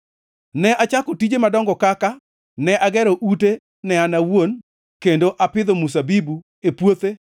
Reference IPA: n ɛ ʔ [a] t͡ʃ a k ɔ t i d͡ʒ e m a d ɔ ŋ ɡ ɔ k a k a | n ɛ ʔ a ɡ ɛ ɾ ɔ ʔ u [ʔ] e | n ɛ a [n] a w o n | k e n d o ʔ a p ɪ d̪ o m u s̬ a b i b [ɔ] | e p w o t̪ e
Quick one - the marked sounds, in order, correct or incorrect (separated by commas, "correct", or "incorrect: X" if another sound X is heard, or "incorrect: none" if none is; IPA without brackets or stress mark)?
correct, incorrect: t, correct, incorrect: u